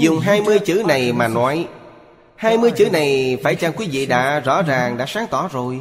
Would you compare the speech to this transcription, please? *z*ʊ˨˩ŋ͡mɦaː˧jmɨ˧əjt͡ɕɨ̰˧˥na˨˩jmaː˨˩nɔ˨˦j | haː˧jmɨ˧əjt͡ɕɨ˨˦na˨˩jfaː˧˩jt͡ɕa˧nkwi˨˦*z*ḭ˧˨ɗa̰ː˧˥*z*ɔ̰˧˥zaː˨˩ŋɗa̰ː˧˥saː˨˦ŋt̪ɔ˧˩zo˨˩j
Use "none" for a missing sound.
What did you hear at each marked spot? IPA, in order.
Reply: z, v, z

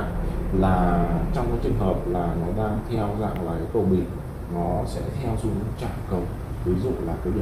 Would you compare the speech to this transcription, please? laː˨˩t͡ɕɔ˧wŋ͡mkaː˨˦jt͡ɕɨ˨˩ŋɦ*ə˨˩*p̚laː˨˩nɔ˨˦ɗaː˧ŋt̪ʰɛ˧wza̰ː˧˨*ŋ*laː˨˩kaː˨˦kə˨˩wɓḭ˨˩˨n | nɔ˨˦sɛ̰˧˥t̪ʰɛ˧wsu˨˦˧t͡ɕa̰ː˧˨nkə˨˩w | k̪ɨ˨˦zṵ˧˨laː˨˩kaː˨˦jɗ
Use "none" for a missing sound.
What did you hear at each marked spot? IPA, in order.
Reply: əː˨˩, ŋ

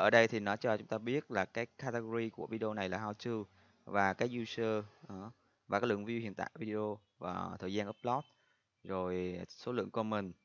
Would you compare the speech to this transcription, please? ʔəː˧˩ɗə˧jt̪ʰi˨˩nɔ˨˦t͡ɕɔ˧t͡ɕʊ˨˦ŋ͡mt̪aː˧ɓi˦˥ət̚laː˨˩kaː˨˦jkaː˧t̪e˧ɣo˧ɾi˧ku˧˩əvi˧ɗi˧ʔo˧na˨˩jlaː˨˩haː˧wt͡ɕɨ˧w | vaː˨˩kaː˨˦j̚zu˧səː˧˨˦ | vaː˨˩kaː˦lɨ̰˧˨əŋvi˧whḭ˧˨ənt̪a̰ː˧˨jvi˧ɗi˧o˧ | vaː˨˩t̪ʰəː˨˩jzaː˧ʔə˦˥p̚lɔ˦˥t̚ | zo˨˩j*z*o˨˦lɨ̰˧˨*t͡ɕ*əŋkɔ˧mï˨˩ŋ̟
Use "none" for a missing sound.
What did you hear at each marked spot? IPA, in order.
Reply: s, none

